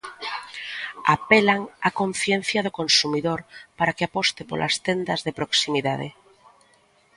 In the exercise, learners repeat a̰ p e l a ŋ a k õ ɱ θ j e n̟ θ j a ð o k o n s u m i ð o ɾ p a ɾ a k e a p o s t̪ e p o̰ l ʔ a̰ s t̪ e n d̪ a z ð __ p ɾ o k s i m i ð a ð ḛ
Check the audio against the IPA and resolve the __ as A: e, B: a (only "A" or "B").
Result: A